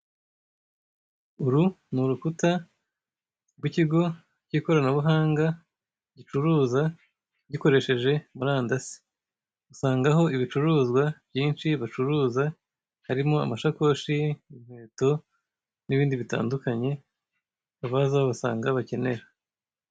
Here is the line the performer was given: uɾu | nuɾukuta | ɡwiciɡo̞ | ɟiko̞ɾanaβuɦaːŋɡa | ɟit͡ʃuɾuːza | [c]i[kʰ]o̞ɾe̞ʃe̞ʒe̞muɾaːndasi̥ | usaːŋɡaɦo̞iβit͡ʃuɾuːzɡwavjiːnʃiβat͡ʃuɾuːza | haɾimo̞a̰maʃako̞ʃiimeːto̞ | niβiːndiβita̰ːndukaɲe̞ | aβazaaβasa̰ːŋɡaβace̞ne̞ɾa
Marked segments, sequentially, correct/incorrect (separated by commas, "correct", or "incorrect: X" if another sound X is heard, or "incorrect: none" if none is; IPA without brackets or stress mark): incorrect: ɟ, incorrect: k